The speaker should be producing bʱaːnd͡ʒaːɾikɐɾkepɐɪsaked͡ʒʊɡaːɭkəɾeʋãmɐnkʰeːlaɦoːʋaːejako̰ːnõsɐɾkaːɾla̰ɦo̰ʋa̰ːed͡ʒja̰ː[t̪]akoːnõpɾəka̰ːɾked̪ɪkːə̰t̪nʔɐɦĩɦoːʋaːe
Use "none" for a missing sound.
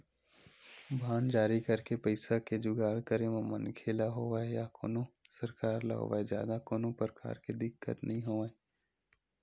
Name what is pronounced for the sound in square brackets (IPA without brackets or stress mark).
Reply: d̪